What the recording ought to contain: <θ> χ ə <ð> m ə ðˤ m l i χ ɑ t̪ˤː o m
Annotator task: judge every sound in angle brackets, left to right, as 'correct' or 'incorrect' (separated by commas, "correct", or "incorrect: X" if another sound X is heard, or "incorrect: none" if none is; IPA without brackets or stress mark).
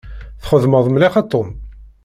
correct, correct